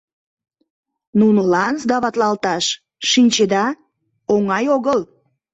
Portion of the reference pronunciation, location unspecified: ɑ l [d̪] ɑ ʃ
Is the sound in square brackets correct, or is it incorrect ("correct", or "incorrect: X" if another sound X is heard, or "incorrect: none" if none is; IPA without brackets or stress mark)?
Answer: incorrect: t̪